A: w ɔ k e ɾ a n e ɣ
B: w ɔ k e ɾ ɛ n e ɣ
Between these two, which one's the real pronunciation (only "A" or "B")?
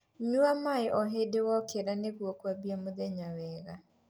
A